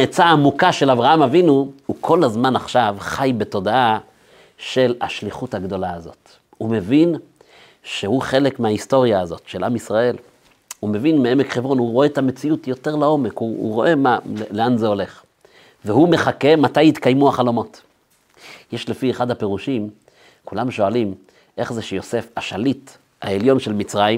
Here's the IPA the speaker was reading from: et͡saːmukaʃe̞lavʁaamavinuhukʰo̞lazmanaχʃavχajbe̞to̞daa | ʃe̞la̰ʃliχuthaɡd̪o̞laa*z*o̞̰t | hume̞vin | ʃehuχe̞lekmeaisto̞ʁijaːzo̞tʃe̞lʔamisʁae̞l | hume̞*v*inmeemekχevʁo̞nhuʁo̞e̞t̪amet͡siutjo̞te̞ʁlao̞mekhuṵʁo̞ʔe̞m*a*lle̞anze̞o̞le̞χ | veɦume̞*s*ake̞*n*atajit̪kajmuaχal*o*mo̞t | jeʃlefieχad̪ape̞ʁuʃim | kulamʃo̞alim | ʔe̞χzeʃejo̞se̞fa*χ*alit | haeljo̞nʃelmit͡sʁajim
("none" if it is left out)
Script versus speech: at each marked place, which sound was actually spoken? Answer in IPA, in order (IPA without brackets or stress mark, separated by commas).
z, v, a, χ, m, o, ʃ